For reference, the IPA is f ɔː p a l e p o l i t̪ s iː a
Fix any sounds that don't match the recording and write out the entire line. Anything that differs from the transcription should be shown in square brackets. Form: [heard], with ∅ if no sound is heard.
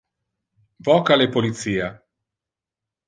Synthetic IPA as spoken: [v] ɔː [k] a l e p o l i t̪ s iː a